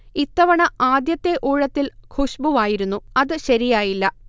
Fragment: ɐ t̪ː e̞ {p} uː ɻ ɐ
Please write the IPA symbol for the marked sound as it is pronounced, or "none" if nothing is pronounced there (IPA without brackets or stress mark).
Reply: ʔ